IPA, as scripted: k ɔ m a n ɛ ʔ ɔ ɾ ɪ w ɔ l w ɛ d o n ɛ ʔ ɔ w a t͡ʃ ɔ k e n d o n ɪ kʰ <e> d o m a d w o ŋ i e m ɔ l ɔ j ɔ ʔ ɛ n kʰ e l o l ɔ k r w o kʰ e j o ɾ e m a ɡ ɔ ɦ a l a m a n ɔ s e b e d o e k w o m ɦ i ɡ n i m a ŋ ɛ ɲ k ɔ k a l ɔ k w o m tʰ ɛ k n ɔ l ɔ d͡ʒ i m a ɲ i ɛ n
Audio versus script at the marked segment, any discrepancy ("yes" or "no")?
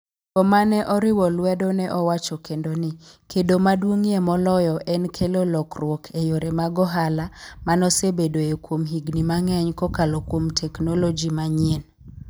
no